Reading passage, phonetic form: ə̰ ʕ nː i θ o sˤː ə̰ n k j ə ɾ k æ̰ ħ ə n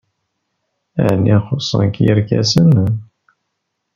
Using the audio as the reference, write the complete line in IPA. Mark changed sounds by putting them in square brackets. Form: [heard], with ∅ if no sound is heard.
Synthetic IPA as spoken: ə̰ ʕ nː i [χ] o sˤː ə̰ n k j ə ɾ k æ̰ [s] ə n